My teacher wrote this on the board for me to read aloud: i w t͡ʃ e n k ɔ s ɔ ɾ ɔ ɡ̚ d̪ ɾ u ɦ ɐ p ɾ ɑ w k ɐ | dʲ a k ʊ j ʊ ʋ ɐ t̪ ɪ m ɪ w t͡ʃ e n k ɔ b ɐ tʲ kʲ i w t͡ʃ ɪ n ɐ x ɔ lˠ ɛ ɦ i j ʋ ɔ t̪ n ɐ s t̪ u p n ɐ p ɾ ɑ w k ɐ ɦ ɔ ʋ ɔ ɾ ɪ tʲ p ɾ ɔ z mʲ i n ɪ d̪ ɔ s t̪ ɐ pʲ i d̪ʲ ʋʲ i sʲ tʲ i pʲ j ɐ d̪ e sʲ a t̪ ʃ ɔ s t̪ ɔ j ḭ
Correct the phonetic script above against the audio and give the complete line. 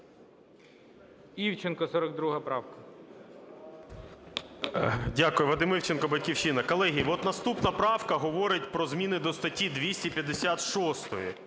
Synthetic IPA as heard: i w t͡ʃ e n k ɔ s ɔ ɾ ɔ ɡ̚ d̪ ɾ u ɦ ɐ p ɾ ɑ w k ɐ | dʲ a k ʊ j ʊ ʋ ɐ d̪ ɪ m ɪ w t͡ʃ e n k ɔ b ɐ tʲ kʲ i w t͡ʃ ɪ n ɐ k ɔ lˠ ɛ ɦ i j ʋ ɔ t̪ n ɐ s t̪ u p n ɐ p ɾ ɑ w k ɐ ɦ ɔ ʋ ɔ ɾ ɪ tʲ p ɾ ɔ z mʲ i n ɪ d̪ ɔ s t̪ ɐ tʲ i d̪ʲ ʋʲ i sʲ tʲ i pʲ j ɐ d̪ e sʲ a t̪ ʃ ɔ s t̪ ɔ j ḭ